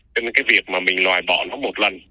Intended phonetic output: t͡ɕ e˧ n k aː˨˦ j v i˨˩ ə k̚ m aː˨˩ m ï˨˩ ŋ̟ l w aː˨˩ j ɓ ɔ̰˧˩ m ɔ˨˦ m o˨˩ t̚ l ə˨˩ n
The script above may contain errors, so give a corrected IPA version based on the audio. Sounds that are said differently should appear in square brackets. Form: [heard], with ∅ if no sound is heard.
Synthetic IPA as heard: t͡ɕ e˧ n k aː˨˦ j v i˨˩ ə k̚ m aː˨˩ m ï˨˩ ŋ̟ l w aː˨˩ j ɓ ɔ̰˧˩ [n] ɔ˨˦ m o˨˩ t̚ l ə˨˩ n

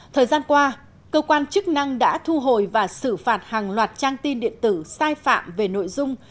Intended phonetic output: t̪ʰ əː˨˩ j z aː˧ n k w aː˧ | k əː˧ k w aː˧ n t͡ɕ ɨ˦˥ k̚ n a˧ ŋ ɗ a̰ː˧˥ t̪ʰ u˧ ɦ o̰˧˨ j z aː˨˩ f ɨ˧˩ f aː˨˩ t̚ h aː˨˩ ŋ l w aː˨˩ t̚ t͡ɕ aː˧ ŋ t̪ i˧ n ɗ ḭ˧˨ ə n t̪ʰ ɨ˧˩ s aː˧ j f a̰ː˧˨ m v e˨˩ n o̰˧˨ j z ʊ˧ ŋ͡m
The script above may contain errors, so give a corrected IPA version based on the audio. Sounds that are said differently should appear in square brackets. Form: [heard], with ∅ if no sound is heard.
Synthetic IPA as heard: t̪ʰ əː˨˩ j z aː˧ n k w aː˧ | k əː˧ k w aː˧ n t͡ɕ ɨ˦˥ k̚ n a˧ ŋ ɗ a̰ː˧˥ t̪ʰ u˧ ɦ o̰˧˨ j [v] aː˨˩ [s] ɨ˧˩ f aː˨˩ t̚ h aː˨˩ ŋ l w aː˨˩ t̚ t͡ɕ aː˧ ŋ t̪ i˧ n ɗ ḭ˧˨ ə n [t̪] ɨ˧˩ s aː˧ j f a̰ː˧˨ m v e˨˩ n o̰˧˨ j z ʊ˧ ŋ͡m

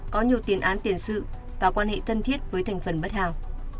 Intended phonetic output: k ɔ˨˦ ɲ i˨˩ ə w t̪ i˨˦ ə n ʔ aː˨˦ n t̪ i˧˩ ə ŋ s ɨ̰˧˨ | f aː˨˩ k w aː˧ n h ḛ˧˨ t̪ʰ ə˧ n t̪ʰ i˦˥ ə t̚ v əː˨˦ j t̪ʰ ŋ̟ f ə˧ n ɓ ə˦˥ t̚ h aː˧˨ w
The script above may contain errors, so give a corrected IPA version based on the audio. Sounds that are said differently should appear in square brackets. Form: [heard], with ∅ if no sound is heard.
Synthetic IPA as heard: k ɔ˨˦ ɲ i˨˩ ə w t̪ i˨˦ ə n ʔ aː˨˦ n t̪ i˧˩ ə [n] s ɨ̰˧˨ | [v] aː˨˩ k w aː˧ n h ḛ˧˨ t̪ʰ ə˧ n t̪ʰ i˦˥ ə t̚ v əː˨˦ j t̪ʰ ŋ̟ f [ə˨˩] n ɓ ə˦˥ t̚ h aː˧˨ w

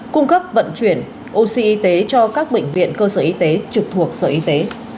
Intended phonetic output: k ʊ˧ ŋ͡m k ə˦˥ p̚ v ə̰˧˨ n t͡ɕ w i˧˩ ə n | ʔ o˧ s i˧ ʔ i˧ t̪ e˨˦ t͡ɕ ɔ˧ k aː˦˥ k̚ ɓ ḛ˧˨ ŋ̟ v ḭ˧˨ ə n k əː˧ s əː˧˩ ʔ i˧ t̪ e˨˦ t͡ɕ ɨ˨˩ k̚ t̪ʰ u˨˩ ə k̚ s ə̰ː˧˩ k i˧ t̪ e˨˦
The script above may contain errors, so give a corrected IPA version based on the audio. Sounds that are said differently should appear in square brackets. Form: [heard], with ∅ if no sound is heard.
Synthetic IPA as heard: k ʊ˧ ŋ͡m k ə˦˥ p̚ v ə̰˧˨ n t͡ɕ w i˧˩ ə n | ʔ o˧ s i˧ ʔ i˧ t̪ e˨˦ t͡ɕ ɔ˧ k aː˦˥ k̚ ɓ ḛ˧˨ ŋ̟ v ḭ˧˨ ə n k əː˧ s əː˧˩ ʔ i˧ t̪ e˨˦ t͡ɕ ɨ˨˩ k̚ t̪ʰ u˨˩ ə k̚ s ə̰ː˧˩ [ʔ] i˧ t̪ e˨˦

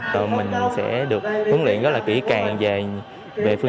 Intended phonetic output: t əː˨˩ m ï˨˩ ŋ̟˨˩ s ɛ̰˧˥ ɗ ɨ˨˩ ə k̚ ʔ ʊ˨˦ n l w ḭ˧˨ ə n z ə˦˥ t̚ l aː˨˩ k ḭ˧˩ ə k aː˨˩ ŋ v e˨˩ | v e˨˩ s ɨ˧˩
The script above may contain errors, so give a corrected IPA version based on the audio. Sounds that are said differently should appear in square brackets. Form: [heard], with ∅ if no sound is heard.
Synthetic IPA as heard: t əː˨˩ m ï˨˩ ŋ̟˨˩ s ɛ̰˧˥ ɗ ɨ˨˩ ə k̚ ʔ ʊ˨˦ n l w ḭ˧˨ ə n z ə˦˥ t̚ l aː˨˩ k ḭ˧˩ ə k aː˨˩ ŋ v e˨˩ | v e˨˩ [f] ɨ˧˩

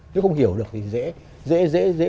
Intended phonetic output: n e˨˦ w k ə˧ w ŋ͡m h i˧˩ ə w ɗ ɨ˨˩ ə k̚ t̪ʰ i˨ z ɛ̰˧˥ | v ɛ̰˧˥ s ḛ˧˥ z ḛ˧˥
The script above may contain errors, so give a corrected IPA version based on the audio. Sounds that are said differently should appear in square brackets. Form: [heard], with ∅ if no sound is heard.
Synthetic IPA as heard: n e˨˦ w [x] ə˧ w ŋ͡m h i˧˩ ə w ɗ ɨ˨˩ ə k̚ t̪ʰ i˨ z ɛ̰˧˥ | [z] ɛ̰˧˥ [z] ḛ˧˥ z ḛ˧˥

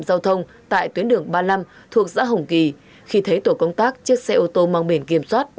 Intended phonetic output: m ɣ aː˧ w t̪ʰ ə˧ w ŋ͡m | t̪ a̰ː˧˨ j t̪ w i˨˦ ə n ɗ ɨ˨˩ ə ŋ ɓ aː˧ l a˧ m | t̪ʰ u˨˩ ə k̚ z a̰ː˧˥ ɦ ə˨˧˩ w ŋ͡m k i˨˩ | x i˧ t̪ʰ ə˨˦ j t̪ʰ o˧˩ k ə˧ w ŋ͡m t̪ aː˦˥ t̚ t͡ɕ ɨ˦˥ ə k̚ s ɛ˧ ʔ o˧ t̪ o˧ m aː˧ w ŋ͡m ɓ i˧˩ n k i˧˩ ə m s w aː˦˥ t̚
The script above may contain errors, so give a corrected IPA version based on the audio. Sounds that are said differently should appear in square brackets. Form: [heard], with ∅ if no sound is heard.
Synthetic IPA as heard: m [z] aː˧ w t̪ʰ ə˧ w ŋ͡m | t̪ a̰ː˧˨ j t̪ w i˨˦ ə n ɗ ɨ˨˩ ə ŋ ɓ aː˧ l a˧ m | t̪ʰ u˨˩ ə k̚ z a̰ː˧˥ ɦ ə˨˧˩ w ŋ͡m k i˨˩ | x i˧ t̪ʰ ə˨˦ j [t̪] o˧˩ k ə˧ w ŋ͡m t̪ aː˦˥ [k̚] t͡ɕ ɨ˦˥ ə k̚ s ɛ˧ ʔ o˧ t̪ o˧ m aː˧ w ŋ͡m ɓ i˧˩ n k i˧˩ ə m s w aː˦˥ t̚

